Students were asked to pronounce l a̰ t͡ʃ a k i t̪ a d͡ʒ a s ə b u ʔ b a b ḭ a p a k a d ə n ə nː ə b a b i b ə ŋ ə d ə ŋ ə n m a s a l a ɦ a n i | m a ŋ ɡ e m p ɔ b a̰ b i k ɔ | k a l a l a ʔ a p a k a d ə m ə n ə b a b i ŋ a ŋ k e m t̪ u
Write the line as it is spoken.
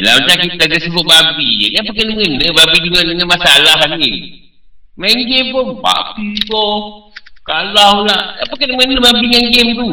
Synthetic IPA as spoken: l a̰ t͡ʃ a k i t̪ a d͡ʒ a s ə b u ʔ b a b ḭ a p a k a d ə ŋ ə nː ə b a b i d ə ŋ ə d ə ŋ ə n m a s a l a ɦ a n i | m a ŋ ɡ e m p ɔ b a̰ b i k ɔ | k a l a l a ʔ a p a k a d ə m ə n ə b a b i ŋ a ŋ ɡ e m t̪ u